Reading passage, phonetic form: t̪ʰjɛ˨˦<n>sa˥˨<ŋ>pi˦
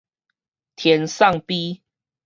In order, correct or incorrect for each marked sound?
correct, correct

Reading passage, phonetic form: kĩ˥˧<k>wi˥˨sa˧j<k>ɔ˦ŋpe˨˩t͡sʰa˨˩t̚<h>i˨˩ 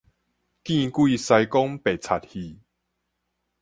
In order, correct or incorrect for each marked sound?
correct, correct, correct

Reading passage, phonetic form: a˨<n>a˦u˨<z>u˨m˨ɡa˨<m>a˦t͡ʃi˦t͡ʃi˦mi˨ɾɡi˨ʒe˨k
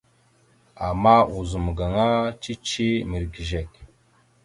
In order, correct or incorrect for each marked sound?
incorrect: m, correct, incorrect: ŋ

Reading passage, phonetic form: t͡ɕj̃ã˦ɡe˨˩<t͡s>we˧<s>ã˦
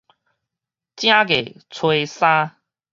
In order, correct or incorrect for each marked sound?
incorrect: t͡sʰ, correct

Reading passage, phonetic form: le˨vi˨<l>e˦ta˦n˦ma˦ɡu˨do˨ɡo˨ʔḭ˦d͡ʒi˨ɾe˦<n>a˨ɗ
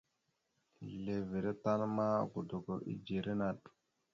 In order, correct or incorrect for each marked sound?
incorrect: ɾ, correct

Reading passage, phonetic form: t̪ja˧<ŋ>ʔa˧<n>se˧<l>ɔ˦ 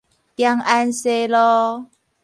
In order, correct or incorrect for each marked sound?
correct, correct, correct

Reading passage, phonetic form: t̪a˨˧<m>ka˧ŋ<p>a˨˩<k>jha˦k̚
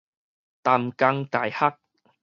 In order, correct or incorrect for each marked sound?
correct, incorrect: k, incorrect: none

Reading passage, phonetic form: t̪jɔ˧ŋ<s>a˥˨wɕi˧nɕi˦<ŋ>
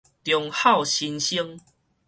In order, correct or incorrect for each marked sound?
incorrect: h, correct

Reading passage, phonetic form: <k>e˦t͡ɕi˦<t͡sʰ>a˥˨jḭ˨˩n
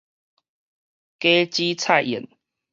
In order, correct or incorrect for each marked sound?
correct, correct

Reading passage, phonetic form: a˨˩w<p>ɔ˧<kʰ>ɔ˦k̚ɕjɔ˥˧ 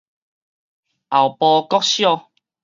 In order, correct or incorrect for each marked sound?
correct, incorrect: k

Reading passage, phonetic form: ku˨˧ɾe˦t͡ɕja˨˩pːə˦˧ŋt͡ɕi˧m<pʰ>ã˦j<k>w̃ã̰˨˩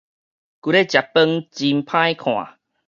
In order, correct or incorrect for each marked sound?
correct, incorrect: kʰ

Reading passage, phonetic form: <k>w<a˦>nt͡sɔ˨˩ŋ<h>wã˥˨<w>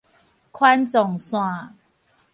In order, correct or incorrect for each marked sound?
incorrect: kʰ, correct, incorrect: s, incorrect: none

